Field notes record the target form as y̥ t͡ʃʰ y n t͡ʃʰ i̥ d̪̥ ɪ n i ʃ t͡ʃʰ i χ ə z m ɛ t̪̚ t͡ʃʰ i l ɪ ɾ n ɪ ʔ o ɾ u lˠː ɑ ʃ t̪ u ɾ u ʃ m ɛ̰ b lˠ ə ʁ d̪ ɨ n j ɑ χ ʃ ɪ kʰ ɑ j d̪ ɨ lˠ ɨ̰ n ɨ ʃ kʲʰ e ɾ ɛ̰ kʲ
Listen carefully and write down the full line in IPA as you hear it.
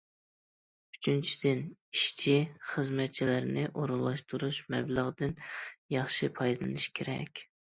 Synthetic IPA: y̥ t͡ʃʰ y n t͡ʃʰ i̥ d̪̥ ɪ n i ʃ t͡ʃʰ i χ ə z m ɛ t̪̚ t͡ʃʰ i l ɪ ɾ n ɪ ʔ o ɾ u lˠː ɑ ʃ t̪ u ɾ u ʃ m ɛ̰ b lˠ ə ʁ d̪ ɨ n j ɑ χ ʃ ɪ pʰ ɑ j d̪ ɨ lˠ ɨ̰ n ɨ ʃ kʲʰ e ɾ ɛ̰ kʲ